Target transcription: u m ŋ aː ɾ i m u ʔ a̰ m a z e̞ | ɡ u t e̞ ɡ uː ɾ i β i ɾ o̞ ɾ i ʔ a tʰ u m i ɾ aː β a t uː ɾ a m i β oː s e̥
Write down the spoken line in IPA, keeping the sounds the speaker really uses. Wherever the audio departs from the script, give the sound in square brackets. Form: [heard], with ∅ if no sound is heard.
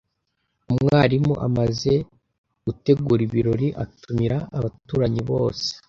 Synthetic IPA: u m ŋ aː ɾ i m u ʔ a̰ m a z e̞ | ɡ u t e̞ ɡ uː ɾ i β i ɾ o̞ ɾ i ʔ a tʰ u m i ɾ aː β a t uː ɾ a [ɲ] i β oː s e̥